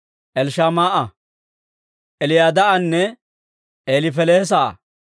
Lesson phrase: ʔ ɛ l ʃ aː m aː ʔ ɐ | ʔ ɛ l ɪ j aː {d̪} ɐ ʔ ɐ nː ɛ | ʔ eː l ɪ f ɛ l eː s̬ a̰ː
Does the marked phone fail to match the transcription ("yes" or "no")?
no